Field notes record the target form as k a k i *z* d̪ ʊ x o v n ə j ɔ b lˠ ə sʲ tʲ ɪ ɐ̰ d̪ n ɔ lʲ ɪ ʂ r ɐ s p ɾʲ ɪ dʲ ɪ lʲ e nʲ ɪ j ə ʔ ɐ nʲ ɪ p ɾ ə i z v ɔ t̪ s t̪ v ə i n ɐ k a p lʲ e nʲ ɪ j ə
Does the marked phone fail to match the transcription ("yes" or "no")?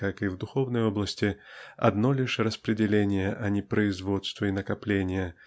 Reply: yes